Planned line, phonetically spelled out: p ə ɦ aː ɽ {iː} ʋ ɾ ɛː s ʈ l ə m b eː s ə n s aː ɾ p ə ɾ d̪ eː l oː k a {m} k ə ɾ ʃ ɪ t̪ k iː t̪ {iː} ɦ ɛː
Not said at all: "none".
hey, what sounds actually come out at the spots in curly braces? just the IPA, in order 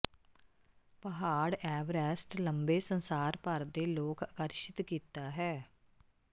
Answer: ɛː, none, aː

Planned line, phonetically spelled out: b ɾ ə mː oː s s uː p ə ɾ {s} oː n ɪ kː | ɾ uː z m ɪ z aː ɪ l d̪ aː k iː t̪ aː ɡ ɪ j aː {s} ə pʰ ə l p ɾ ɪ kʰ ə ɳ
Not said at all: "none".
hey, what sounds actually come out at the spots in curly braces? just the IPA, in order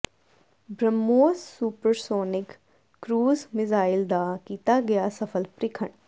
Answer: s, s

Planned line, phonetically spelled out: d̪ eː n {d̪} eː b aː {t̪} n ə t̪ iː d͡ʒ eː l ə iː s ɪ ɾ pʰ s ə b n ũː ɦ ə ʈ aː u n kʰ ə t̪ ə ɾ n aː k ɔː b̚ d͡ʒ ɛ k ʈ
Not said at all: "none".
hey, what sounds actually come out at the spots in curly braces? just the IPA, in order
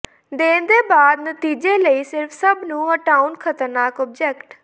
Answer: d̪, d̪

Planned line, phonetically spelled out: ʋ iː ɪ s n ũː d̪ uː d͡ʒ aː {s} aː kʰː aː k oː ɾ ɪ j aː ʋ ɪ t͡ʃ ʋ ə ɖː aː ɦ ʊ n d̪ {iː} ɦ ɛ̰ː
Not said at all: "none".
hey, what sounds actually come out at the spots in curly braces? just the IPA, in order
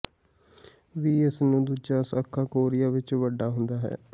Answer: s, aː

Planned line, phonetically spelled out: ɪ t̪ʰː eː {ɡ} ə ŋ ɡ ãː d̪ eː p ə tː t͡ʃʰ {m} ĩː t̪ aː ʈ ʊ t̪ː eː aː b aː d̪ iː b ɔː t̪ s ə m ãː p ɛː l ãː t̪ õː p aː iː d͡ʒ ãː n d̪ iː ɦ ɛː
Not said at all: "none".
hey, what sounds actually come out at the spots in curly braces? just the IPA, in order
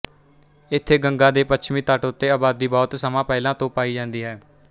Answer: ɡ, m

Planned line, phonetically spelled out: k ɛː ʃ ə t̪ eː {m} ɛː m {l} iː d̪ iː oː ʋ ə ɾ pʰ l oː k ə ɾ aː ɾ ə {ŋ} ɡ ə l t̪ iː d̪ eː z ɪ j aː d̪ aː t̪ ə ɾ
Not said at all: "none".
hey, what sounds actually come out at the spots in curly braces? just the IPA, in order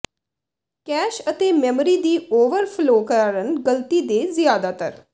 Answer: m, ɾ, n

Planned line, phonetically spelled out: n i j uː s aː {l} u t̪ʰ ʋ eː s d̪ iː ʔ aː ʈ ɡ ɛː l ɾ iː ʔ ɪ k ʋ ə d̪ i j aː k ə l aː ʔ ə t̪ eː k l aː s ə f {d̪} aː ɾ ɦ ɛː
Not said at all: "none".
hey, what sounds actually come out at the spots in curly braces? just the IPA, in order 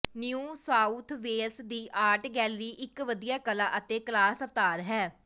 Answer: none, t̪

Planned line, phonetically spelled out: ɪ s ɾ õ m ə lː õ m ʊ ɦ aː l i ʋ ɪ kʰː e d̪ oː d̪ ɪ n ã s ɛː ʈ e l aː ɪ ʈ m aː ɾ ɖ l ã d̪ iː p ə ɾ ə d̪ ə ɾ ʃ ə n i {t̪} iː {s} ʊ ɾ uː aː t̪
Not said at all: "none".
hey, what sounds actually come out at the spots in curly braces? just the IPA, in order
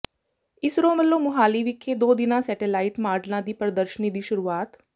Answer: d̪, ʃ

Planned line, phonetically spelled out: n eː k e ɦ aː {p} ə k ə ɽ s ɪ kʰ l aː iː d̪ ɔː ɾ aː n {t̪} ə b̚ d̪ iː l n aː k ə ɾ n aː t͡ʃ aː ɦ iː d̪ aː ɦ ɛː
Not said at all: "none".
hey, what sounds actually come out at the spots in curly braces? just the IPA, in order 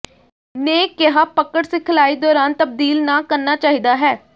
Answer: p, t̪

